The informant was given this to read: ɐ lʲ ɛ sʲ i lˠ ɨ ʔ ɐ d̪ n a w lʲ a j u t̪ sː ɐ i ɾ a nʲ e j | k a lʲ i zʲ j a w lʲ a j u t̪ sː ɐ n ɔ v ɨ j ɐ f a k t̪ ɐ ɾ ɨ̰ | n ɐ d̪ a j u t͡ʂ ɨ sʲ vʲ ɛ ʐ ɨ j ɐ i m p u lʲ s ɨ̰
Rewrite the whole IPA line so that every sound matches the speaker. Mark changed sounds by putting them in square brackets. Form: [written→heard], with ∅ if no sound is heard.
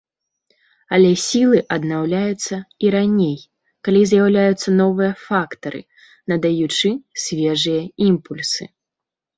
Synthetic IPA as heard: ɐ lʲ ɛ sʲ i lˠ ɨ ʔ ɐ d̪ n a w lʲ a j u t̪ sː ɐ i ɾ a nʲ e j | k a lʲ i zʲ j a w lʲ a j u t̪ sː ɐ n ɔ v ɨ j ɐ f a k t̪ ɐ ɾ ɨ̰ | n ɐ d̪ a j u t͡ʂ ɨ sʲ vʲ ɛ ʐ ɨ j ɐ i m p u lʲ s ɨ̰